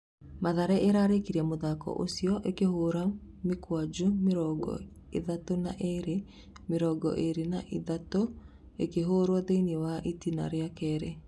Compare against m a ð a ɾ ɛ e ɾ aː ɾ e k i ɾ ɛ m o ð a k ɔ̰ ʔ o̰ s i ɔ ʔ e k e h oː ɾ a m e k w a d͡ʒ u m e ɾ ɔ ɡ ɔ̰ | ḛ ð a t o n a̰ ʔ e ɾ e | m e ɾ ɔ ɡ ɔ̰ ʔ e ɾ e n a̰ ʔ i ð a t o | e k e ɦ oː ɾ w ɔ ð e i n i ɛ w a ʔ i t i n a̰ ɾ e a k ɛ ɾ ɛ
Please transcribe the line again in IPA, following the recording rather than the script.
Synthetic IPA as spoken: m a ð a ɾ ɛ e ɾ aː ɾ e k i ɾ ɛ m o ð a k ɔ̰ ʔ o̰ s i ɔ ʔ e k e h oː ɾ a m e k w a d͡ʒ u m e ɾ ɔ ɡ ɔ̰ | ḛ ð a t o n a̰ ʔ e ɾ e | m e ɾ ɔ ɡ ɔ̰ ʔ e ɾ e n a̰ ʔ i ð a t o | e k e ɦ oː ɾ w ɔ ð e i n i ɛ w a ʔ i t i n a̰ ɾ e a k ɛ ɾ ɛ